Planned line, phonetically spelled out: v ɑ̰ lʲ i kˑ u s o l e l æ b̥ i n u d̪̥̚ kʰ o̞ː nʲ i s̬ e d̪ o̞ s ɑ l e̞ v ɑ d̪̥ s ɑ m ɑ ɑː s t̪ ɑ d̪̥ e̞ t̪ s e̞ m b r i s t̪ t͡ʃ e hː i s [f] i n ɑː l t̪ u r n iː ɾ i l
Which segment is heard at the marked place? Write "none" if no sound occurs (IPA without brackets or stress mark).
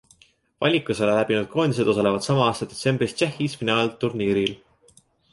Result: f